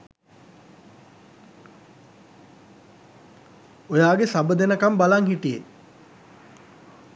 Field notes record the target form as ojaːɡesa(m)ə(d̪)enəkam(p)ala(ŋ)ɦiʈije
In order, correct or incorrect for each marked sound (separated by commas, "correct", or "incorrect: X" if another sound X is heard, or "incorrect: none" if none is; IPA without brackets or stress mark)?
incorrect: b, correct, incorrect: b, correct